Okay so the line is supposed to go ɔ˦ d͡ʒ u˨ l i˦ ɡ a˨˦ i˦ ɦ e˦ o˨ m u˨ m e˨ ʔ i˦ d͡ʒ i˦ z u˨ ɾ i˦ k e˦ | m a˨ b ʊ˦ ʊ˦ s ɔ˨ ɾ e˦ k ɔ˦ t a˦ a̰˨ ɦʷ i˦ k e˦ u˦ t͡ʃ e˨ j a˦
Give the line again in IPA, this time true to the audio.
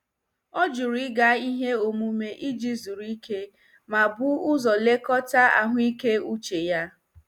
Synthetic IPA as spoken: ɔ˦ d͡ʒ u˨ ɾ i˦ ɡ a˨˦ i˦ ɦ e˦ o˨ m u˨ m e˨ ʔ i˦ d͡ʒ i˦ z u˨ ɾ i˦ k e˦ | m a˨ b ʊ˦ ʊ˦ z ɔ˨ l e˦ k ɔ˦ t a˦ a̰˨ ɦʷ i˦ k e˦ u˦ t͡ʃ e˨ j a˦